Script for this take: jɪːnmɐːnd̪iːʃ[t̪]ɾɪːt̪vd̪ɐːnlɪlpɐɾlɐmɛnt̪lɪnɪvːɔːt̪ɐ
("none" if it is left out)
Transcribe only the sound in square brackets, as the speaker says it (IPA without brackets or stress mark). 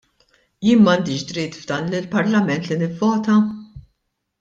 d̪